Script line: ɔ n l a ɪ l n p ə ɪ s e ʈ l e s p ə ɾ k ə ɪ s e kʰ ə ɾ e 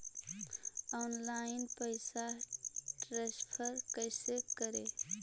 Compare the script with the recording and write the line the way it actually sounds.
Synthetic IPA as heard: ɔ n l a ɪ n p ə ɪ s a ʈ ɾ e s pʰ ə ɾ k ə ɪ s e k ə ɾ e